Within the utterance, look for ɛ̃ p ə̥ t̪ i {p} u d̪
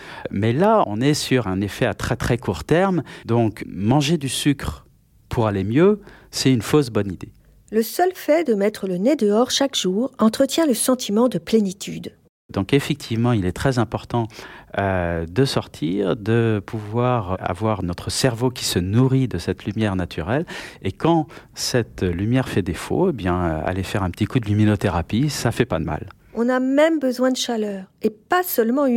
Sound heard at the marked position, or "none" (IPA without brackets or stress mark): k